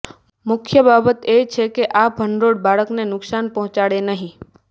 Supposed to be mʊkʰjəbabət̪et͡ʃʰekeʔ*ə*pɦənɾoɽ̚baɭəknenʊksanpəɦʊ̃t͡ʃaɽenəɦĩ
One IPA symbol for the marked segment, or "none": a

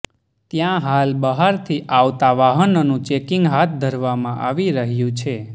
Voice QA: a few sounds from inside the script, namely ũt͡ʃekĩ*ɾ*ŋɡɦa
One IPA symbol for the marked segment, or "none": none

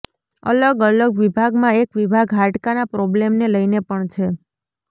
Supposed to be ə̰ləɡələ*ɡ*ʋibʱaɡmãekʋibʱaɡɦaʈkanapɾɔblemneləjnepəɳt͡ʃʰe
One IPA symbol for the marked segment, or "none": ɡ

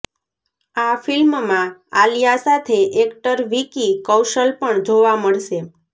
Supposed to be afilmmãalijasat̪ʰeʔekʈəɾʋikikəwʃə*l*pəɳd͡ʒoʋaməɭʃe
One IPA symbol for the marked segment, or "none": l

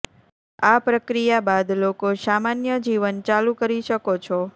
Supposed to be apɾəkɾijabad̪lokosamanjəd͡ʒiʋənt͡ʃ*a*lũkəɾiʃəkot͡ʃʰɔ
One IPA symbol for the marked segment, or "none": a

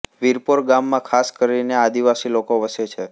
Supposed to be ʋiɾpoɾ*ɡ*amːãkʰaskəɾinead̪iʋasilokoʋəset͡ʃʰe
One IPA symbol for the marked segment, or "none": ɡ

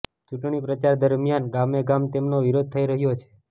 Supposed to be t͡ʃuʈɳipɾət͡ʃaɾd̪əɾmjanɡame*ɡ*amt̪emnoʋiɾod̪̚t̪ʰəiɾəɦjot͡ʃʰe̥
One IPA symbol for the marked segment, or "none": ɡ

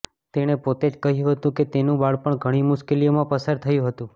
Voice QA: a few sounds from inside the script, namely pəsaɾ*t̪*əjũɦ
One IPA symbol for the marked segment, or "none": t̪ʰ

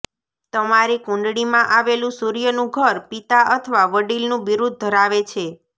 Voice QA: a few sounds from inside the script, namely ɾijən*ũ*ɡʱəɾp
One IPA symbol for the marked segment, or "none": ũ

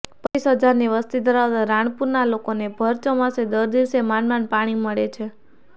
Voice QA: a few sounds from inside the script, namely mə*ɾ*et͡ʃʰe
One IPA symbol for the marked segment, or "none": ɭ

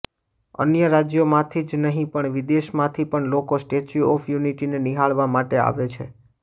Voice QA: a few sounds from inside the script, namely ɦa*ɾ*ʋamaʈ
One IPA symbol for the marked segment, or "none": ɭ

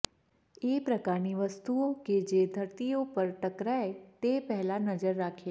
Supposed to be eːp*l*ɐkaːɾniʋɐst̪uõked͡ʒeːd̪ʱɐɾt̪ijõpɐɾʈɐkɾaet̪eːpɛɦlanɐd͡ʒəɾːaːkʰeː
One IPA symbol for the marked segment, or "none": ɾ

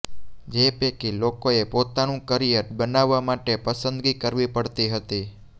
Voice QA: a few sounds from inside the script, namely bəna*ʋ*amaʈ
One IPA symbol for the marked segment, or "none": ʋː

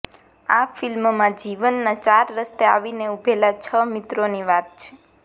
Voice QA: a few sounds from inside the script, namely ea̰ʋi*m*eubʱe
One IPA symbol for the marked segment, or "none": n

